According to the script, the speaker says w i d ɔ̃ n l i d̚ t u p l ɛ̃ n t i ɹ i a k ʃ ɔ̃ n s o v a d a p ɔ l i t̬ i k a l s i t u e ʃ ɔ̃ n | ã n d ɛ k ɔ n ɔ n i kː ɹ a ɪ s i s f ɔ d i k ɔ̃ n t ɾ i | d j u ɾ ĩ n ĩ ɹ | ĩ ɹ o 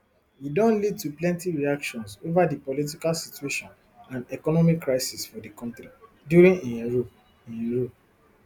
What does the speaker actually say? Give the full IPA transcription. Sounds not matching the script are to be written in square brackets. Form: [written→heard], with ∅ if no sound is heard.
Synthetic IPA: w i d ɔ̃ n l i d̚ t u p l ɛ̃ n t i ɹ i a k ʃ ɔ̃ n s o v a d [a→i] p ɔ l i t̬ i k a l s i t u e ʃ ɔ̃ n | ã n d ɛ k ɔ n ɔ [n→m] i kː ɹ a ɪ s i s f ɔ d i k ɔ̃ n t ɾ i | d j u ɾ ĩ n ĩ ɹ | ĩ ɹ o

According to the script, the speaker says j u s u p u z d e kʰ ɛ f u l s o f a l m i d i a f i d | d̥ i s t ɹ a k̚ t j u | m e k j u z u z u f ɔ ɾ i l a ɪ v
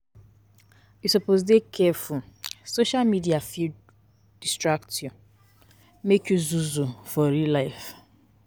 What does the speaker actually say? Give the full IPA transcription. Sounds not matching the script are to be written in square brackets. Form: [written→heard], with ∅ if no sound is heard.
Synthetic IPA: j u s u p [u→o] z d e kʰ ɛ f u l s o [f→ʃ] a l m i d i a f i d | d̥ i s t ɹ a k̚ t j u | m e k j u z u z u f ɔ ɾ i l a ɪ [v→f]

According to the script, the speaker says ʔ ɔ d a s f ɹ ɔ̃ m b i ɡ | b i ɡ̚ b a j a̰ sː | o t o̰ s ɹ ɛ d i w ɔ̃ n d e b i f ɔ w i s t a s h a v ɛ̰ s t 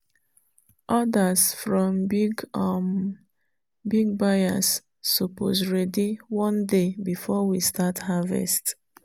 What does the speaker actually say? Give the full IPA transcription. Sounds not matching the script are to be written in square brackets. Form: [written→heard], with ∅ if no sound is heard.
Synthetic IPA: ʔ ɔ d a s f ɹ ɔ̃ m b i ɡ | b i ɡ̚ b a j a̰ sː | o [t→p] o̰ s ɹ ɛ d i w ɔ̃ n d e b i f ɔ w i s t a [s→t] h a v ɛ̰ s t

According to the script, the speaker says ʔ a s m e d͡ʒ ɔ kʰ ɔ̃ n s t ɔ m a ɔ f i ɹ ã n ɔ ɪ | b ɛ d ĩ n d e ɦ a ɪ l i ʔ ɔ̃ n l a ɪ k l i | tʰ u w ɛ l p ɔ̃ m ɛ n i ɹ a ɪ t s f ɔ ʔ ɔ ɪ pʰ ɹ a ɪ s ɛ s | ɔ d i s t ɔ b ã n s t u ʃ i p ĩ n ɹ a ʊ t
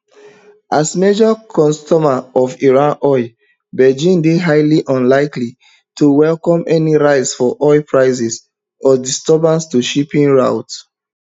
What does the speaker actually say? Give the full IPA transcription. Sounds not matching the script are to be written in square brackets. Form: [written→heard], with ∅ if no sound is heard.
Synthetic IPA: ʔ a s m e d͡ʒ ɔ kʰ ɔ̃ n s t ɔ m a ɔ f i ɹ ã n ɔ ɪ | b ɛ [d→d͡ʒ] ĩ n d e ɦ a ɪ l i ʔ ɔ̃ n l a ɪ k l i | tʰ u w ɛ l [p→k] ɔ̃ m ɛ n i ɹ a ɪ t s f ɔ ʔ ɔ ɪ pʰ ɹ a ɪ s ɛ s | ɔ d i s t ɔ b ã n s t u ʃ i p ĩ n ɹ a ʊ t

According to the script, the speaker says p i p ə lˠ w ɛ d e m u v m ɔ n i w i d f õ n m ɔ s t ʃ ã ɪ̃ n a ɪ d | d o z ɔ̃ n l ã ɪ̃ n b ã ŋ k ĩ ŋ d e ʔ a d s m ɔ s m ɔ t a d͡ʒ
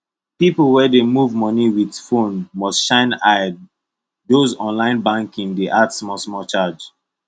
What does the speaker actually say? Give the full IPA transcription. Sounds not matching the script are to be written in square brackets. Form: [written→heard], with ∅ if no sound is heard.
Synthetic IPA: p i p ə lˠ w ɛ d e m u v m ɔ n i w i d f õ n m ɔ s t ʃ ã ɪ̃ n a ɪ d | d o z ɔ̃ n l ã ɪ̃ n b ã ŋ k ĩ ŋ d e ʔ a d s m ɔ s m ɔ [t→t͡ʃ] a d͡ʒ

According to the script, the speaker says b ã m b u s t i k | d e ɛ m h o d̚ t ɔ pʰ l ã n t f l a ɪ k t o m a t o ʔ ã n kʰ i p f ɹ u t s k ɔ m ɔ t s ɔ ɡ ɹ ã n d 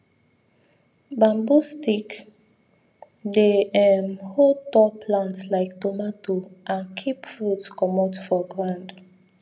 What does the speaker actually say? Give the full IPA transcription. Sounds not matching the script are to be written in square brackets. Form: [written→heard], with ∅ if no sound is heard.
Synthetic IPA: b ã m b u s t i k | d e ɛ m h o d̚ t ɔ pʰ l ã n t [f→s] l a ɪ k t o m a t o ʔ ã n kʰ i p f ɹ u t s k ɔ m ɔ t [s→f] ɔ ɡ ɹ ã n d

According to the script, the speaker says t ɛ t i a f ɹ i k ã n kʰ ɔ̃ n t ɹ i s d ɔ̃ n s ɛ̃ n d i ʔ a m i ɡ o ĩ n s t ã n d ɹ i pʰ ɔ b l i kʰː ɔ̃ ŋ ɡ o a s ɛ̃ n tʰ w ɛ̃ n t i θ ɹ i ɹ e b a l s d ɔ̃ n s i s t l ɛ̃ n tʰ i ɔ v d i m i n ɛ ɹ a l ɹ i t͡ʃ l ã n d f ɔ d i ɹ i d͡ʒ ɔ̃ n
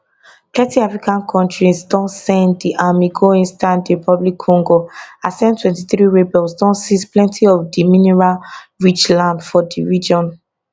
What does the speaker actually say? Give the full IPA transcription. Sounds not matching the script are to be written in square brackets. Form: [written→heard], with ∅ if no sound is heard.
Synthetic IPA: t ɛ t i a f ɹ i k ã n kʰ ɔ̃ n t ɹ i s d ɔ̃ n s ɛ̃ n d i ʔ a m i ɡ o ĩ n s t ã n d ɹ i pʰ ɔ b l i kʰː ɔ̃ ŋ ɡ o a s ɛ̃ n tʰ w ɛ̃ n t i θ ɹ i ɹ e b [a→ɛ] l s d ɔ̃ n s i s [t→p] l ɛ̃ n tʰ i ɔ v d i m i n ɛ ɹ a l ɹ i t͡ʃ l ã n d f ɔ d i ɹ i d͡ʒ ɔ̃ n

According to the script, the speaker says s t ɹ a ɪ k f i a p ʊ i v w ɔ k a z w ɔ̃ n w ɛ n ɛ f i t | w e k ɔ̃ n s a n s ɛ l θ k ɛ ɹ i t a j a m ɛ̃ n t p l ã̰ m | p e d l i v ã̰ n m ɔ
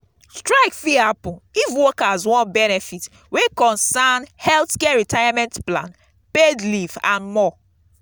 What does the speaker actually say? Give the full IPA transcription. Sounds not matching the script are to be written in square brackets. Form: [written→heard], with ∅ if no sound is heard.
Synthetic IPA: s t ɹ a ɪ k f i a p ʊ i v w ɔ k a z w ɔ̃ n [w→b] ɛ n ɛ f i t | w e k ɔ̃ n s a n [s→h] ɛ l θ k ɛ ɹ i t a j a m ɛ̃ n t p l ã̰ [m→n] | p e d l i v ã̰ n m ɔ

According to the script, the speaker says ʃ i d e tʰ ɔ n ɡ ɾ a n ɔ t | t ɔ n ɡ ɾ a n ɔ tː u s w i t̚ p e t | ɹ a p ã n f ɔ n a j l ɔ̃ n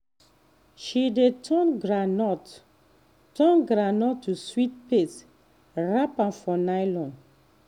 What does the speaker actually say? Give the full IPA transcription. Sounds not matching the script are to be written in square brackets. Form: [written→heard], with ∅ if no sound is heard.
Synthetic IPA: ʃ i d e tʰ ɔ n ɡ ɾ a n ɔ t | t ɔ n ɡ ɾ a n ɔ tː u s w i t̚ p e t | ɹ a p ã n f ɔ n a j l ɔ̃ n

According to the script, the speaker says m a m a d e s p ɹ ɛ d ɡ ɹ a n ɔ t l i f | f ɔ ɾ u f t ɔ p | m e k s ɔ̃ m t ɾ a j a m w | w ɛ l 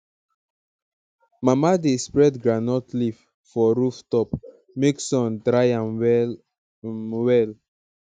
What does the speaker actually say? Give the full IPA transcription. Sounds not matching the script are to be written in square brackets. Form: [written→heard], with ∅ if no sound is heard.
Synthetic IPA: m a m a d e s p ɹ ɛ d ɡ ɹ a n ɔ t l i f | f ɔ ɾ u f t ɔ p | m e k s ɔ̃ [m→n] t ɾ a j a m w | w ɛ l

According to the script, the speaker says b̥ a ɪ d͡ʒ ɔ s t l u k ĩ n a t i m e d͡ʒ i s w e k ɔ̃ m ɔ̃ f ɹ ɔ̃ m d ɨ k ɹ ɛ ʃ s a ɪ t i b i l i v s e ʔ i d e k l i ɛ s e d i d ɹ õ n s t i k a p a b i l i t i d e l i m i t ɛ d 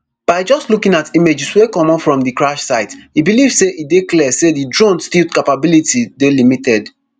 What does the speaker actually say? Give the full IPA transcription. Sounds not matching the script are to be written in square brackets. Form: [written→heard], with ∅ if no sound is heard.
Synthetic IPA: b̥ a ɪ d͡ʒ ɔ s t l u k ĩ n a t i m e d͡ʒ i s w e k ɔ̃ m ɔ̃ f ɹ ɔ̃ m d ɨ k ɹ [ɛ→a] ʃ s a ɪ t i b i l i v s e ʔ i d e k l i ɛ s e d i d ɹ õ n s t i k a p a b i l i t i d e l i m i t ɛ d

